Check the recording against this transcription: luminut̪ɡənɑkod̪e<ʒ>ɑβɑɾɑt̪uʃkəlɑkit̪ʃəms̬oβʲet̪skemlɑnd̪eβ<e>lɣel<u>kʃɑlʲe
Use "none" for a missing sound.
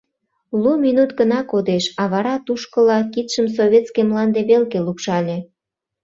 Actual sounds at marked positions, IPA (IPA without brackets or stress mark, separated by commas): ʃ, e, u